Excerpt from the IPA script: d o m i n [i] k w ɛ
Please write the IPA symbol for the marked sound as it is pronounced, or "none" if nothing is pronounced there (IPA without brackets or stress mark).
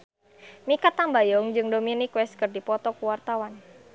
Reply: i